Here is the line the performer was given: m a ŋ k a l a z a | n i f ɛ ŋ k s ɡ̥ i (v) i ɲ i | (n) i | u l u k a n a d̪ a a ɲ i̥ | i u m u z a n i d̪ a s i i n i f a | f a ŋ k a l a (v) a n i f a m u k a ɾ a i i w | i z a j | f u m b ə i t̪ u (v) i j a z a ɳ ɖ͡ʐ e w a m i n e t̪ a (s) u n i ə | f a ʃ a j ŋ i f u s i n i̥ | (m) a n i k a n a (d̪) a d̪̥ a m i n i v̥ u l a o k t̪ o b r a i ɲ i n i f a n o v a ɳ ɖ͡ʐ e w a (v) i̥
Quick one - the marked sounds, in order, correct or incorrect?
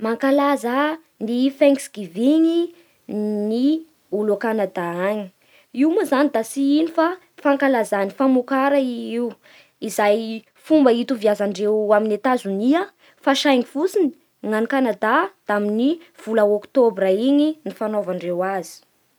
correct, correct, incorrect: z, correct, incorrect: z, incorrect: ŋ, correct, incorrect: z

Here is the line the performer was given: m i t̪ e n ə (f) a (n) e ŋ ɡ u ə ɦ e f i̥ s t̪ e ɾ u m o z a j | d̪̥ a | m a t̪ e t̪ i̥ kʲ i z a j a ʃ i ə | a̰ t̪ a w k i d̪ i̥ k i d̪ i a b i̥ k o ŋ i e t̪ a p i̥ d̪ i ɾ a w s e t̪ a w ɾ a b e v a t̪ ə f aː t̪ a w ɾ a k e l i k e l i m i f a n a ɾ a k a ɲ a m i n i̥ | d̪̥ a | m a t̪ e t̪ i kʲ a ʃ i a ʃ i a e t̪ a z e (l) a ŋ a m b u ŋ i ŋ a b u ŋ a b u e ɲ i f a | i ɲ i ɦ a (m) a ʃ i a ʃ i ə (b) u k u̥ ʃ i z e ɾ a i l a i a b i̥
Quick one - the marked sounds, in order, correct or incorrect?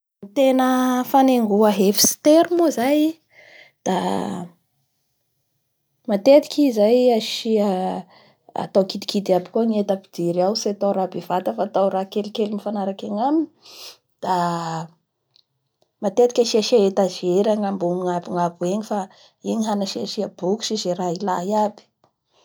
correct, correct, incorrect: ɾ, incorrect: n, correct

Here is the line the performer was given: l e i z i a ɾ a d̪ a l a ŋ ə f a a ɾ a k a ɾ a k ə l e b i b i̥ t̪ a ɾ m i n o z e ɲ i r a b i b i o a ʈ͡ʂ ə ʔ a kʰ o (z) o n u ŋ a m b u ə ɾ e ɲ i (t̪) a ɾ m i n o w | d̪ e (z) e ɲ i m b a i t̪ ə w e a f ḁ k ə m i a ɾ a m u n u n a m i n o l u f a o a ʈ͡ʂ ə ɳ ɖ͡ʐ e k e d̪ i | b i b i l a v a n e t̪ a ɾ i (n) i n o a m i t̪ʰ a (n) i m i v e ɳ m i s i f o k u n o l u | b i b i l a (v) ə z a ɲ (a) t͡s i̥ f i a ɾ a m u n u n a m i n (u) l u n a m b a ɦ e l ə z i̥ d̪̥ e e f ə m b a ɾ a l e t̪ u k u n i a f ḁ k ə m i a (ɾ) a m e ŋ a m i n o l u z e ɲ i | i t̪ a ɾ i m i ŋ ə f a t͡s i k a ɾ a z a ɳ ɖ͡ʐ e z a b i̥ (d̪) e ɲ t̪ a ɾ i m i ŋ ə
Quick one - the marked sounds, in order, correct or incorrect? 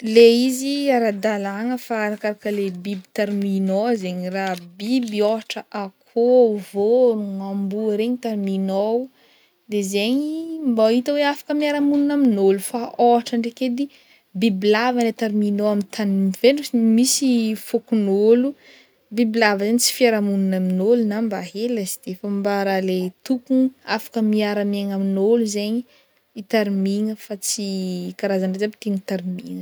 incorrect: v, correct, correct, incorrect: m, correct, correct, incorrect: i, incorrect: o, correct, incorrect: t̪

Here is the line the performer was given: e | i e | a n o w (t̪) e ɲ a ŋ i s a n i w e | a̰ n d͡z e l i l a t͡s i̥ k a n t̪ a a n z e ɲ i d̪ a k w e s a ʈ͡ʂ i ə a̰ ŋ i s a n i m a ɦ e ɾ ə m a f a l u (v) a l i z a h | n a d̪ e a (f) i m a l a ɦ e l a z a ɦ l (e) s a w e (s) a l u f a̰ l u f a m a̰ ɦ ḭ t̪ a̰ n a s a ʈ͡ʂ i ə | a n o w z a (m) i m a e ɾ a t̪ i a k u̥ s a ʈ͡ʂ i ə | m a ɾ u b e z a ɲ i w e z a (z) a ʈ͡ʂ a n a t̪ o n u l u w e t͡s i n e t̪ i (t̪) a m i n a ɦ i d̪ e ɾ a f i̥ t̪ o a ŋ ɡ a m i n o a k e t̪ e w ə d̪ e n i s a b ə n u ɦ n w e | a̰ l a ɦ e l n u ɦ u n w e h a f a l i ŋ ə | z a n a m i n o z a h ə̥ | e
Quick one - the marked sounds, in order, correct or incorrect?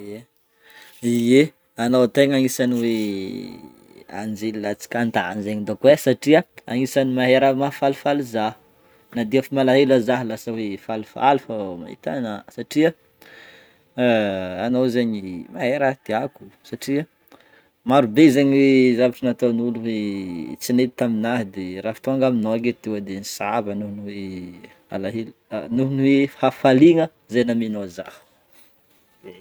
correct, incorrect: f, correct, incorrect: a, incorrect: f, incorrect: ɲ, incorrect: v, correct

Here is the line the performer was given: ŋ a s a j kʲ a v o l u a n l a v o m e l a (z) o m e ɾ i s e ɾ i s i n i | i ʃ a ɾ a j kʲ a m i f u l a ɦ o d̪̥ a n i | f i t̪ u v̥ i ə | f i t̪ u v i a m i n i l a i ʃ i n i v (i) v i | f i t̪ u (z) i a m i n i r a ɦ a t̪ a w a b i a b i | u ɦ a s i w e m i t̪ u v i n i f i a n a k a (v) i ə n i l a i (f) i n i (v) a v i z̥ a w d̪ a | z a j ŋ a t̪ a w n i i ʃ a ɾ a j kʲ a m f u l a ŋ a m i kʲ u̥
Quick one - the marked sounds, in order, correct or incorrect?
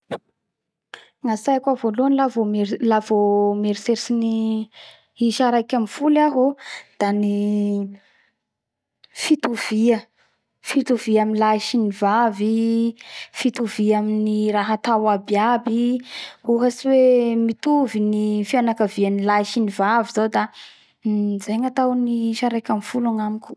incorrect: v, incorrect: a, incorrect: v, correct, incorrect: ʃ, correct

